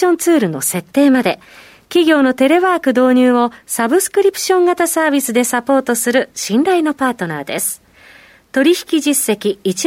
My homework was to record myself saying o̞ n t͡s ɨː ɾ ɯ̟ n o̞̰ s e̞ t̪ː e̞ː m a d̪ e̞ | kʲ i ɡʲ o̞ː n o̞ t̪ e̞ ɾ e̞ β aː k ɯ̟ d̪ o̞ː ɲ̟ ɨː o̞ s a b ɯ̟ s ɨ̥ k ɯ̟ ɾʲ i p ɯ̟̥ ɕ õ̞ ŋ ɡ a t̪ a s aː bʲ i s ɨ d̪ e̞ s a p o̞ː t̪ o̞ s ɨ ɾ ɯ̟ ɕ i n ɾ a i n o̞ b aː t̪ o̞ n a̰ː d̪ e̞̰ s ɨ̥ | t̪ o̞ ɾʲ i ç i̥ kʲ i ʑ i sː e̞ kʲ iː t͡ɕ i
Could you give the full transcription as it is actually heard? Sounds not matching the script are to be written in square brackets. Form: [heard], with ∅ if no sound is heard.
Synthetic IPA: [õ̞] n t͡s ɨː ɾ ɯ̟ n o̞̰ s e̞ t̪ː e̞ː m a d̪ e̞ | kʲ i ɡʲ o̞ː n o̞ t̪ e̞ ɾ e̞ β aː k ɯ̟ d̪ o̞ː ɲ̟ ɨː o̞ s a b ɯ̟ s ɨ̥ k ɯ̟ ɾʲ i p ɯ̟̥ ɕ õ̞ ŋ ɡ a t̪ a s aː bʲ i s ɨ d̪ e̞ s a p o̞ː t̪ o̞ s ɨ ɾ ɯ̟ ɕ [ĩ] n ɾ a i n o̞ [p] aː t̪ o̞ n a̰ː d̪ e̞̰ s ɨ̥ | t̪ o̞ ɾʲ i ç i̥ kʲ i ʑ i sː e̞ kʲ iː t͡ɕ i